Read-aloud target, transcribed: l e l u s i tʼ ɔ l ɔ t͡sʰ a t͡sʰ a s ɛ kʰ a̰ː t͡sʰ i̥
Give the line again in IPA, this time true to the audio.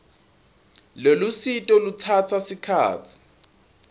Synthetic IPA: l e l u s i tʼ ɔ l u t͡sʰ a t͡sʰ a s i kʰ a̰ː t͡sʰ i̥